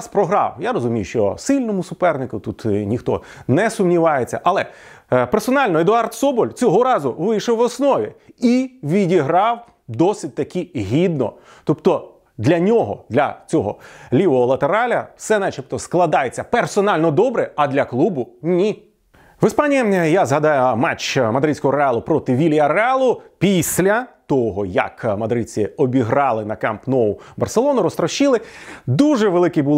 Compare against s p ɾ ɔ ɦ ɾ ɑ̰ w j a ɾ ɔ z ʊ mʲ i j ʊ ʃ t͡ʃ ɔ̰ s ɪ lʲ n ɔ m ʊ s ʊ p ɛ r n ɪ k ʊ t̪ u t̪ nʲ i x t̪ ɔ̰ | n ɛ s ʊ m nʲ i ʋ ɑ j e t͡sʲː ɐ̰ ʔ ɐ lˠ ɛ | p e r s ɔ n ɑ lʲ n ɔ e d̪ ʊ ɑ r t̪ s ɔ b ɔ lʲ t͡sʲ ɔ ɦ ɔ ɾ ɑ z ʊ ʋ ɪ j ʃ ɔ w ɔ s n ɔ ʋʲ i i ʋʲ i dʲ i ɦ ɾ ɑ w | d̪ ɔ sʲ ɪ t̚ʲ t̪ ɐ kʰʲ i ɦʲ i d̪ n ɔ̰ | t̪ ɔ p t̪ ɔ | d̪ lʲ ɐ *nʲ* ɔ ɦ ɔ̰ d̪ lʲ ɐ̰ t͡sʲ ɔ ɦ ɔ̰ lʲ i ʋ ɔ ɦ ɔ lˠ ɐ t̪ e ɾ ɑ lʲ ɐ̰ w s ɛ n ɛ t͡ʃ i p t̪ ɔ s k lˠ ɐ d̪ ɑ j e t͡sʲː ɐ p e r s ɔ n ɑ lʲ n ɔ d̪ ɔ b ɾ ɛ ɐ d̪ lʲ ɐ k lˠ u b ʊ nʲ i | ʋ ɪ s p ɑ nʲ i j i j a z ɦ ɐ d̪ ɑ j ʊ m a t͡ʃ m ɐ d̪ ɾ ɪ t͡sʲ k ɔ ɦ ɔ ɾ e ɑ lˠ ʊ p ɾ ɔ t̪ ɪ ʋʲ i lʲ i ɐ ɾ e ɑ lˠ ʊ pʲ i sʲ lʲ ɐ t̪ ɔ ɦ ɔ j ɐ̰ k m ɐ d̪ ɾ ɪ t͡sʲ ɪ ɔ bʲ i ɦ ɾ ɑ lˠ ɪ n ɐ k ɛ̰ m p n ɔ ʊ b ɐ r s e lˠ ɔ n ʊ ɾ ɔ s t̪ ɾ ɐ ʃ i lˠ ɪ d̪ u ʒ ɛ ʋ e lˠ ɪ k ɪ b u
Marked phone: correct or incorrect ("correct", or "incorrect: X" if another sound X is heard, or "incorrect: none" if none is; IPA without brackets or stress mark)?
correct